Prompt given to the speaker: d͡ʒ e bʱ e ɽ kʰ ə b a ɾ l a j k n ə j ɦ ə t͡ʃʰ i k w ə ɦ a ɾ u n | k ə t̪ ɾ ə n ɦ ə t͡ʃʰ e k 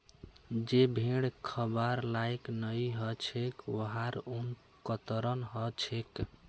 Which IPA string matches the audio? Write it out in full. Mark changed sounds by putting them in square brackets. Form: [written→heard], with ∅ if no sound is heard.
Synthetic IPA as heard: d͡ʒ e bʱ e ɽ kʰ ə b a ɾ l a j k n ə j ɦ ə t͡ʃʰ [i→e] k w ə ɦ a ɾ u n | k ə t̪ ɾ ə n ɦ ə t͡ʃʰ e k